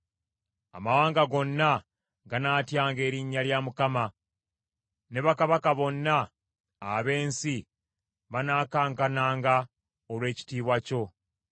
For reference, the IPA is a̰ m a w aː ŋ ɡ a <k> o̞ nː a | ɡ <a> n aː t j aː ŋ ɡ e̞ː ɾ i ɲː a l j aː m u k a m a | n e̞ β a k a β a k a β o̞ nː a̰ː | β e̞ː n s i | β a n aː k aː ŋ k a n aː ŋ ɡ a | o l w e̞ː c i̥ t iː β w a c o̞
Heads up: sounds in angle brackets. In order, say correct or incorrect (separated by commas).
incorrect, correct